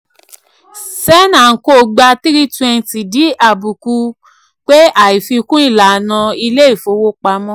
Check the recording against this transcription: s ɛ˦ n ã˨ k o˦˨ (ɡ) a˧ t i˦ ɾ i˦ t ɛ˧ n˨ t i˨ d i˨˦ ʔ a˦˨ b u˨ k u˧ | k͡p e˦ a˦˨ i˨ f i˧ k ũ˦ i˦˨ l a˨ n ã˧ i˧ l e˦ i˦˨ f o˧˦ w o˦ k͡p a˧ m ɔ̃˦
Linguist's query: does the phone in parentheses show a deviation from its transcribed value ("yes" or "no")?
yes